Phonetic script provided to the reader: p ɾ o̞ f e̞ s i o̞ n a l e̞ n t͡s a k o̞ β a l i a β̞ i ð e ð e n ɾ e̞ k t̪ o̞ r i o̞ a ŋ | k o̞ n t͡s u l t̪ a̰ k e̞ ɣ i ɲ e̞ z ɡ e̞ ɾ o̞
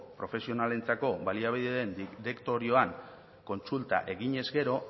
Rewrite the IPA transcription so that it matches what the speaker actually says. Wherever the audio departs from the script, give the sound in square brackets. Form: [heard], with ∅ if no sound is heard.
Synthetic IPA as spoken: p ɾ o̞ f e̞ s i o̞ n a l e̞ n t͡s a k o̞ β a l i a β̞ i ð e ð e n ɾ e̞ k t̪ o̞ [ɾ] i o̞ a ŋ | k o̞ n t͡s u l t̪ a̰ [ʔ] e̞ ɣ i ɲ e̞ z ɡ e̞ ɾ o̞